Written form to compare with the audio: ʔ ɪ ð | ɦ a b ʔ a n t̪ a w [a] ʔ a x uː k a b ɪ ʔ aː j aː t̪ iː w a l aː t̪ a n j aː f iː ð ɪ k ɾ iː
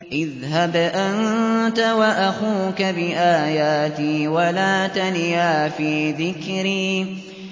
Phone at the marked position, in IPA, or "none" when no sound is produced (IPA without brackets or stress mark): a